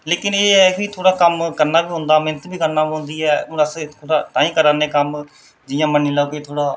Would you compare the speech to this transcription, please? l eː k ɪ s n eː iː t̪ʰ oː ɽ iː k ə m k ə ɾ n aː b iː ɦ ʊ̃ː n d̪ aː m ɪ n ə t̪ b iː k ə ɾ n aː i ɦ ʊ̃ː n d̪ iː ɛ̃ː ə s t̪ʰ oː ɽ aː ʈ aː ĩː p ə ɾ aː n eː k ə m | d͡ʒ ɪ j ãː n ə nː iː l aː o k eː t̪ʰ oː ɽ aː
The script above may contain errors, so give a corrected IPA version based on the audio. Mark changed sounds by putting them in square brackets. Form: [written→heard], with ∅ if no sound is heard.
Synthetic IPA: l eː k ɪ [s→∅] n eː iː t̪ʰ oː ɽ [iː→aː] k ə m k ə ɾ n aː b iː ɦ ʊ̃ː n d̪ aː m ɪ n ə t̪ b iː k ə ɾ n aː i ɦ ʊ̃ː n d̪ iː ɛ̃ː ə s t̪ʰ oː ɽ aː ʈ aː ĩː [p→k] ə ɾ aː n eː k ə m | d͡ʒ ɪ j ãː [n→m] ə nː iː l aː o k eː t̪ʰ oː ɽ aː